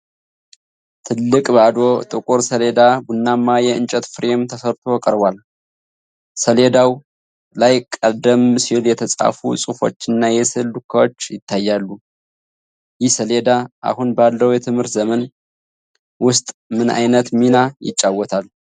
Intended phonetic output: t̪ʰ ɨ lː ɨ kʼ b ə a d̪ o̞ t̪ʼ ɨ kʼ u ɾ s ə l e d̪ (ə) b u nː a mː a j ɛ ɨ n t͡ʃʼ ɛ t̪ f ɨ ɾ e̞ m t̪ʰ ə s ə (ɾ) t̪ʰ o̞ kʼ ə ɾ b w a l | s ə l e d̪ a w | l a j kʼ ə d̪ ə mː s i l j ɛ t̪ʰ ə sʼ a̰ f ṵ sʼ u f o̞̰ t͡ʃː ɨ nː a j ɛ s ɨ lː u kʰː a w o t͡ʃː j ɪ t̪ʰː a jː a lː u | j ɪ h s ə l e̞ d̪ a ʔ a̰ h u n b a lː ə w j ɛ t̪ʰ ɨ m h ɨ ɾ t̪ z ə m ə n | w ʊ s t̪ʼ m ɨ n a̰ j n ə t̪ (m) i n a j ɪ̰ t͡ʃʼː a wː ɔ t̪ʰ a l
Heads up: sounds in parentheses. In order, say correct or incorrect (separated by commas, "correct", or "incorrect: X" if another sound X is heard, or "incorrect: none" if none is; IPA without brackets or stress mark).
incorrect: a, correct, correct